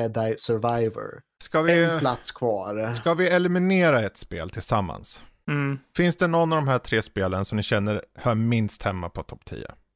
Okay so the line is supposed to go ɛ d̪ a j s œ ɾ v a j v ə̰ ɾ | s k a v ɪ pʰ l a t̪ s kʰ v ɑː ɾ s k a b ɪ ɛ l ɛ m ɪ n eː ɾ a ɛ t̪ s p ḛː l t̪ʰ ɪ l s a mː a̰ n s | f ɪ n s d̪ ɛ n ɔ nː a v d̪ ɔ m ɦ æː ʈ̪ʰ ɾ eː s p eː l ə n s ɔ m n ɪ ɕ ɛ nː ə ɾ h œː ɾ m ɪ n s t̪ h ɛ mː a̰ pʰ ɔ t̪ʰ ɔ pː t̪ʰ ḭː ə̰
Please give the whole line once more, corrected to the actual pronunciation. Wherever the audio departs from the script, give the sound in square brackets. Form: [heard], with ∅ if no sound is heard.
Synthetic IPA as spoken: ɛ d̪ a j s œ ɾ v a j v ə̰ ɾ | s k a v ɪ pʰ l a t̪ s kʰ v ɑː ɾ s k a [v] ɪ ɛ l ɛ m ɪ n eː ɾ a ɛ t̪ s p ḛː l t̪ʰ ɪ l s a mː a̰ n s | f ɪ n s d̪ ɛ n ɔ nː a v d̪ ɔ m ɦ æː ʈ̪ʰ ɾ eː s p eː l ə n s ɔ m n ɪ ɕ ɛ nː ə ɾ h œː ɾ m ɪ n s t̪ h ɛ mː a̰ pʰ ɔ t̪ʰ ɔ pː t̪ʰ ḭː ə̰